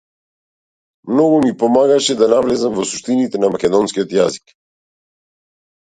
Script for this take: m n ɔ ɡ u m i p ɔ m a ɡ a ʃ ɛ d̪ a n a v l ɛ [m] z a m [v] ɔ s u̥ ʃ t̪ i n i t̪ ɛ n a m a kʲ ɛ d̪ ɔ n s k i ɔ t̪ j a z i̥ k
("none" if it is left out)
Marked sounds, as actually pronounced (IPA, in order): none, v

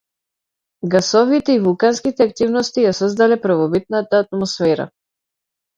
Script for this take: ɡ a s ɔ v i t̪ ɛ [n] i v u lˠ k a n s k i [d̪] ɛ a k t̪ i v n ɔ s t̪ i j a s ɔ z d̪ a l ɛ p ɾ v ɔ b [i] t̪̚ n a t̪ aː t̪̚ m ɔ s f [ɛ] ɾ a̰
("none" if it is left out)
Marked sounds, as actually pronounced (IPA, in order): none, t̪, i, ɛ

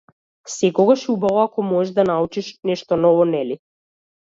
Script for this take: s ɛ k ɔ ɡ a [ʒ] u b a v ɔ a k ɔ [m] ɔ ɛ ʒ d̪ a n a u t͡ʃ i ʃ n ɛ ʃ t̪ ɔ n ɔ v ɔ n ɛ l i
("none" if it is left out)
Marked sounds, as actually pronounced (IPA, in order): ʃ, m

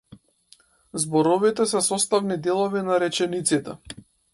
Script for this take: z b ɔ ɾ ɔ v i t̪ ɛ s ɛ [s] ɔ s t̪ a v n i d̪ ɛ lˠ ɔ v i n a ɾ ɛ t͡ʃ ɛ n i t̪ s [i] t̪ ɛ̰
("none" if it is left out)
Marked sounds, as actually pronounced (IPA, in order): s, i

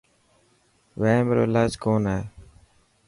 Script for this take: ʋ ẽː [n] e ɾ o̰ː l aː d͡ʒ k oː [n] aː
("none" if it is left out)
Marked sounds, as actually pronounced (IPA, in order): m, n

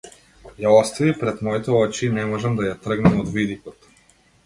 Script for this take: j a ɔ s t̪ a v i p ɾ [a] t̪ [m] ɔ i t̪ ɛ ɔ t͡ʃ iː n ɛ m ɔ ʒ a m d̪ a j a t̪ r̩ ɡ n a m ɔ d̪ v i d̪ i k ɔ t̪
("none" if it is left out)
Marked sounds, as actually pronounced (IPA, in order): ɛ, m

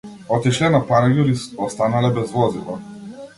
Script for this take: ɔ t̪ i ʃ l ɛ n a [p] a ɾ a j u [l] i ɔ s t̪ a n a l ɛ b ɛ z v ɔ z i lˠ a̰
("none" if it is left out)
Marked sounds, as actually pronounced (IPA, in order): p, ɾ

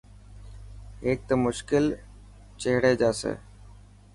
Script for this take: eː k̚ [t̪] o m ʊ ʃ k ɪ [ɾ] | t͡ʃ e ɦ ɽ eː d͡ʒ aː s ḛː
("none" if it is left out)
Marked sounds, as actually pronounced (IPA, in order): t̪, l

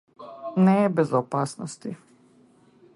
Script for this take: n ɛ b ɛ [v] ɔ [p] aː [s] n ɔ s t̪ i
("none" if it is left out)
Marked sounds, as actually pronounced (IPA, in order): z, p, s

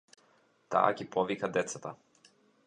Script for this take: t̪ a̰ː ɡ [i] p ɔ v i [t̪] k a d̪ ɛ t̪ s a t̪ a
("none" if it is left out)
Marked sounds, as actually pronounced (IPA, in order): i, none

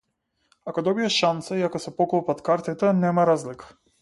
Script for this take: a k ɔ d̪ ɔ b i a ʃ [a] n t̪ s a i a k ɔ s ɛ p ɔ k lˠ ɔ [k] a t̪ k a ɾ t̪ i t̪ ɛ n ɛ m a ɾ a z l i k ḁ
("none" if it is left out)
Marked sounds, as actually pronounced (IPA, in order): a, p

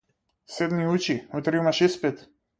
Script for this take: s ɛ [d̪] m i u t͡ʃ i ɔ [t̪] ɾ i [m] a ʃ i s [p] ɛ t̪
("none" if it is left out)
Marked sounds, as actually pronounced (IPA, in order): d̪, t̪, m, p

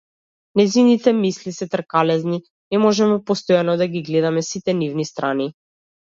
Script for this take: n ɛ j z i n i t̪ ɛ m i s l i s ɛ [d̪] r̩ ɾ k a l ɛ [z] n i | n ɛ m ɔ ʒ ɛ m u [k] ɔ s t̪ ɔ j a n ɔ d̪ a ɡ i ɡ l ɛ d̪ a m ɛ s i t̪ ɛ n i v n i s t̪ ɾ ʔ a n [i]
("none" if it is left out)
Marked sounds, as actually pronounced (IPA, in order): t̪, z, p, i

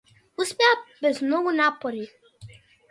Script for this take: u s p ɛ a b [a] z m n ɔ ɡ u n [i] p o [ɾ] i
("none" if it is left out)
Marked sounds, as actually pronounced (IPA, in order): ɛ, a, ɾ

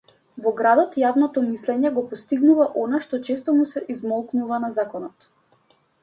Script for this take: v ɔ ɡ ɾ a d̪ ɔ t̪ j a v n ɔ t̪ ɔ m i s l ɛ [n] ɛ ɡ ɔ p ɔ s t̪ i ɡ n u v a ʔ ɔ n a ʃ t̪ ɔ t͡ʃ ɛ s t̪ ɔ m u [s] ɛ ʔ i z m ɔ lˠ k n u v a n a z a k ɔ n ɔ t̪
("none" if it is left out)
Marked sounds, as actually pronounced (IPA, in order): ɲ, s

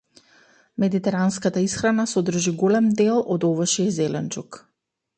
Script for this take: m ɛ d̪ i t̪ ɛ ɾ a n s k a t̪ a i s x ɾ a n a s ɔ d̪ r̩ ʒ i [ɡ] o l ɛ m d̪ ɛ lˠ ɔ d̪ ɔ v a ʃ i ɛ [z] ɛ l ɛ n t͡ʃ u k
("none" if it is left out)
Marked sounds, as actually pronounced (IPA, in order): ɡ, z

